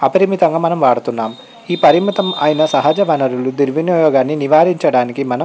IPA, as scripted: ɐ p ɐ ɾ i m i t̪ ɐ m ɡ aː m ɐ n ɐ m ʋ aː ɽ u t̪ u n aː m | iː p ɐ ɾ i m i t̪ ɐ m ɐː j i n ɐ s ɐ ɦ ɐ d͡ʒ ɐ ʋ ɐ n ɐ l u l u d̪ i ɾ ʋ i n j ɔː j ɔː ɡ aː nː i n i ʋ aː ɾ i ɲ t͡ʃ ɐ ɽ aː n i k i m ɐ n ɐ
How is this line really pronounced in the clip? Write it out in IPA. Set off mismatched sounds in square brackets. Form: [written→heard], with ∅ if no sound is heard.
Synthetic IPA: ɐ p ɐ ɾ i m i t̪ ɐ [m→ŋ] ɡ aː m ɐ n ɐ m ʋ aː ɽ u t̪ u [n→nː] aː m | iː p ɐ ɾ i m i t̪ ɐ m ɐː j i n ɐ s ɐ ɦ ɐ d͡ʒ ɐ ʋ ɐ n ɐ [l→ɾ] u l u d̪ i ɾ ʋ i n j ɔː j ɔː ɡ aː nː i n i ʋ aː ɾ i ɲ t͡ʃ ɐ ɽ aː n i k i m ɐ n ɐ